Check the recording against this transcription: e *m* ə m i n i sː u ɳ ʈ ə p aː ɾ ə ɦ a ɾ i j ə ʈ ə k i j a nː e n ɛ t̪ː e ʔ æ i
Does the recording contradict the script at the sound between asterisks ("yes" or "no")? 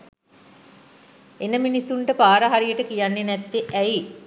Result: yes